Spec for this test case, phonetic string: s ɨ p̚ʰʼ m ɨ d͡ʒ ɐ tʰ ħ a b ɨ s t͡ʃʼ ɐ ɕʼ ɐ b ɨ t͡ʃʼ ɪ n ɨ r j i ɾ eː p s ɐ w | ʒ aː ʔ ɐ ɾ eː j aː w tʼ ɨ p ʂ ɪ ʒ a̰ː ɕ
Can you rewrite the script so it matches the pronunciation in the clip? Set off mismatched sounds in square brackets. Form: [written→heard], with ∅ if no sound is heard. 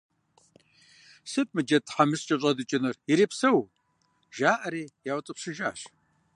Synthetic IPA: s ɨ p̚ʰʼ m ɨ d͡ʒ ɐ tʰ ħ a [b→m] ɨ s t͡ʃʼ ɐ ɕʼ ɐ [b→d] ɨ t͡ʃʼ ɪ n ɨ r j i ɾ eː p s ɐ w | ʒ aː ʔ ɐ ɾ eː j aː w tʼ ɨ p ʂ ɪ ʒ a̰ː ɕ